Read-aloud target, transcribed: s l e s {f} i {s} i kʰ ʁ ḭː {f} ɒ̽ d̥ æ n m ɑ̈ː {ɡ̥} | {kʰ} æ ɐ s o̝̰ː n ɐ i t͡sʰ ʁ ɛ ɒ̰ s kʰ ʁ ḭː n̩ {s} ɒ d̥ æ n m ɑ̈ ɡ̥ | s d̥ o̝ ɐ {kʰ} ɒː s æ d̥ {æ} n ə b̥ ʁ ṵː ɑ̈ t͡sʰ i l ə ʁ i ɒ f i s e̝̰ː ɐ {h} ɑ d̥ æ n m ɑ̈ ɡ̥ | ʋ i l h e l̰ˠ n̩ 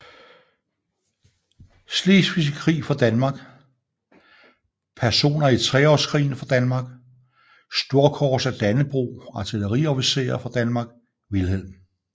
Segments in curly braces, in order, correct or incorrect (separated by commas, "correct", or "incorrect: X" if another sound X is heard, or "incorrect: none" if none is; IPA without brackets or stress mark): correct, correct, correct, correct, incorrect: pʰ, incorrect: f, correct, correct, incorrect: f